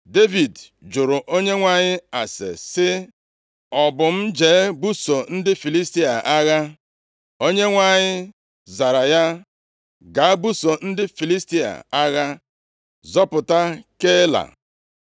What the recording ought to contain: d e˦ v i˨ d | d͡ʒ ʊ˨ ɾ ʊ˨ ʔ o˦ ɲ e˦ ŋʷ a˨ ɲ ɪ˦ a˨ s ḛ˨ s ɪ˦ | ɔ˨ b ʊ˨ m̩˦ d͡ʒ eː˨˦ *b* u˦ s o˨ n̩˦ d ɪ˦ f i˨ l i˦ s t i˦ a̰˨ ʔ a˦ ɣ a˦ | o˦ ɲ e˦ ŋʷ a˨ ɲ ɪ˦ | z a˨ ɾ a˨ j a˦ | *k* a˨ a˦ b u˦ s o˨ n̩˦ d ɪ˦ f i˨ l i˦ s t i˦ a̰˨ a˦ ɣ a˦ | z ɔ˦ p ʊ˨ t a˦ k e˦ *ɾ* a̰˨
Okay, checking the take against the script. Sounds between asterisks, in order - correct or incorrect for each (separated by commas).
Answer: correct, incorrect, incorrect